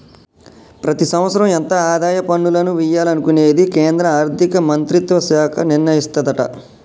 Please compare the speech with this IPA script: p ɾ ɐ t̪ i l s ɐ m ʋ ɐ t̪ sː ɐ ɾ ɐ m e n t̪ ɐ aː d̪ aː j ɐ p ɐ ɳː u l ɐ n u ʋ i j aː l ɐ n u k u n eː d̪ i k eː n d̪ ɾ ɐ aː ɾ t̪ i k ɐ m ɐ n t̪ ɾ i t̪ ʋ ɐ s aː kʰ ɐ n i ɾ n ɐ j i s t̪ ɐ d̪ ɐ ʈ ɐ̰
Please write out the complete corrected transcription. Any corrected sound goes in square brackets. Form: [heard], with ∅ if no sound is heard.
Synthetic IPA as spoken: p ɾ ɐ t̪ i [∅] s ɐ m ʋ ɐ t̪ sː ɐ ɾ ɐ m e n t̪ ɐ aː d̪ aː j ɐ p ɐ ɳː u l ɐ n u ʋ i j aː l ɐ n u k u n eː d̪ i k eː n d̪ ɾ ɐ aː ɾ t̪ i k ɐ m ɐ n t̪ ɾ i t̪ ʋ ɐ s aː kʰ ɐ n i ɾ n ɐ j i s t̪ ɐ d̪ ɐ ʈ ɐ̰